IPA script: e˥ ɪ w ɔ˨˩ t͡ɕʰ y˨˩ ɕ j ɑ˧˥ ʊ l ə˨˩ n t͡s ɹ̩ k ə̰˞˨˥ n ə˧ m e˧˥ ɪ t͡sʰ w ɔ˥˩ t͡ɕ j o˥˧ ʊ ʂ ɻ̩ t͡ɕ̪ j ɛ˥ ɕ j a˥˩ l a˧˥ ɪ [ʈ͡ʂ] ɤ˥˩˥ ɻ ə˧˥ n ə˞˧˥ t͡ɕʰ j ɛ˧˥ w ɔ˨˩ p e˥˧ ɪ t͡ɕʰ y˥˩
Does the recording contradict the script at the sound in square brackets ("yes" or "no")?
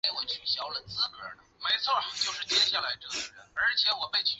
no